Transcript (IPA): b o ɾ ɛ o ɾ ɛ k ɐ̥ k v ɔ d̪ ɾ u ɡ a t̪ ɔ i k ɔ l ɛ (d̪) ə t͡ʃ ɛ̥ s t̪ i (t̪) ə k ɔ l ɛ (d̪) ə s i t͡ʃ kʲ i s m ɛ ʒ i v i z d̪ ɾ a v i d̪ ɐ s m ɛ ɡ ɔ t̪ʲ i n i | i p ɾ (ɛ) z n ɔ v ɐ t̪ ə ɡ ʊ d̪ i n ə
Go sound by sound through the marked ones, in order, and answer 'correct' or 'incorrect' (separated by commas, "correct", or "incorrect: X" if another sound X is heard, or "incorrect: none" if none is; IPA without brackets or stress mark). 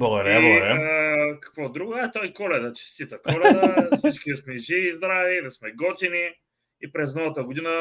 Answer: correct, correct, correct, correct